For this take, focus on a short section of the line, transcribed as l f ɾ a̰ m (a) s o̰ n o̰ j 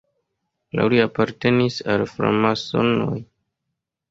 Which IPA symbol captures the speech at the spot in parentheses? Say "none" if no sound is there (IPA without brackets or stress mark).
a